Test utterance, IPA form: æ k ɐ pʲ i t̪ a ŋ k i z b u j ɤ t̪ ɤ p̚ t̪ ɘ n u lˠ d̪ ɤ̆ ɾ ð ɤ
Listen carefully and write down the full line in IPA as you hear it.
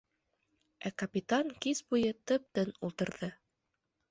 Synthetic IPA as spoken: æ k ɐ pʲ i t̪ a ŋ k i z b u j ɤ t̪ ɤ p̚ t̪ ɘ n u lˠ t̪ ɤ̆ ɾ ð ɤ